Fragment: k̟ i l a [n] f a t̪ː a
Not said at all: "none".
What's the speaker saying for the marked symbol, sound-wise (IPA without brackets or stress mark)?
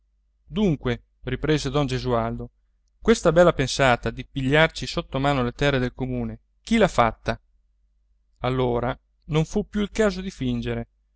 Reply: none